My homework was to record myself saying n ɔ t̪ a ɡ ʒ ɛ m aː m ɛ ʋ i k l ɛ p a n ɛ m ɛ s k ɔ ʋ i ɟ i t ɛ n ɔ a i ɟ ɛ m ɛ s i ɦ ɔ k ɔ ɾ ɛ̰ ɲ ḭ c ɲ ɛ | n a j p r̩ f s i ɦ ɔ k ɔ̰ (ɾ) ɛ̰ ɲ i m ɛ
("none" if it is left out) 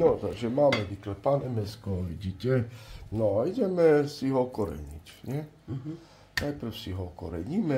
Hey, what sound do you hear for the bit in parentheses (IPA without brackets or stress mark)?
ɾ